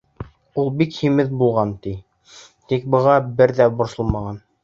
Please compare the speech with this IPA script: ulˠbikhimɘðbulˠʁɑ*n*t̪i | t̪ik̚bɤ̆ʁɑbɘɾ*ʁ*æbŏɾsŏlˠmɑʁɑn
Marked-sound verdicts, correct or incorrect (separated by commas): correct, incorrect